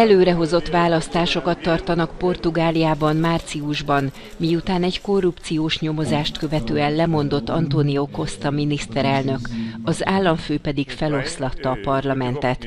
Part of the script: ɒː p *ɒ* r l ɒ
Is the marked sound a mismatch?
no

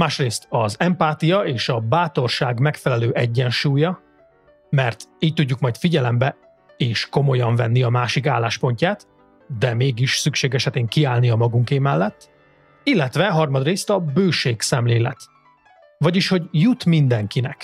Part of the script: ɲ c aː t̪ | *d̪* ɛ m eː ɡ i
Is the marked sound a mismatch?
no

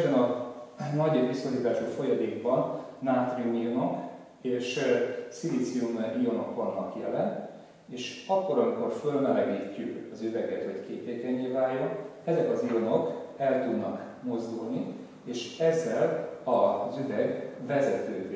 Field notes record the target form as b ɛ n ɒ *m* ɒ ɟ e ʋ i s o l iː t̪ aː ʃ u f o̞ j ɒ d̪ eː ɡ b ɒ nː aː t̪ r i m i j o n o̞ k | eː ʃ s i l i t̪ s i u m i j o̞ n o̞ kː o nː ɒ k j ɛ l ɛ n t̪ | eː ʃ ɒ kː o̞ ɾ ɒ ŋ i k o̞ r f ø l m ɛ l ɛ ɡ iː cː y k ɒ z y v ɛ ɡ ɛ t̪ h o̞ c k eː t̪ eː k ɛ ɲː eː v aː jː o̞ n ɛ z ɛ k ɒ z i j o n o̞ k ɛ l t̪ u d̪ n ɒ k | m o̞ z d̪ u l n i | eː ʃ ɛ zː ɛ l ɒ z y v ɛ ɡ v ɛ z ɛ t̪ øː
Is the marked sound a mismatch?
yes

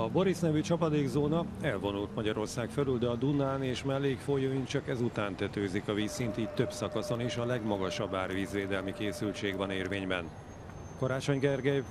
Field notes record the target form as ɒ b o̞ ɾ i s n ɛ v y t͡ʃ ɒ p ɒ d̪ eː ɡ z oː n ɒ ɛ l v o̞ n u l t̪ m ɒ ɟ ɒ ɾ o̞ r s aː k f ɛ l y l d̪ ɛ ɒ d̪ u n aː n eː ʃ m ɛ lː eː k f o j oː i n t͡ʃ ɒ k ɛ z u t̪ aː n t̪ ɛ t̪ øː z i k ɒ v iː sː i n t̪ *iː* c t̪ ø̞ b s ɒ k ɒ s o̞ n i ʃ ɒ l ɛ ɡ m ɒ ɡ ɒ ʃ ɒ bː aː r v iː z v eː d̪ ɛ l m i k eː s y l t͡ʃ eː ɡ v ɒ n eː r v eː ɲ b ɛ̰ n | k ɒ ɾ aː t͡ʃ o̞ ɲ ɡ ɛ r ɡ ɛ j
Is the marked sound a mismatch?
no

